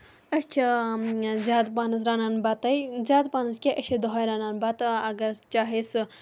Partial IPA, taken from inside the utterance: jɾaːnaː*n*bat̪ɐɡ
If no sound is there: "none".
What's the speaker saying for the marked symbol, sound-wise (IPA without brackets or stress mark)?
n